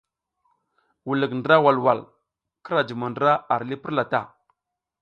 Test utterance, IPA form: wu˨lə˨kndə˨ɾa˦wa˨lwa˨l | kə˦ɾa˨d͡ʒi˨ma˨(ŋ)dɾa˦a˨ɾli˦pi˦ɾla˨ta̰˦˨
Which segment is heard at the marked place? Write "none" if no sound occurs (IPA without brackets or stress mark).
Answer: n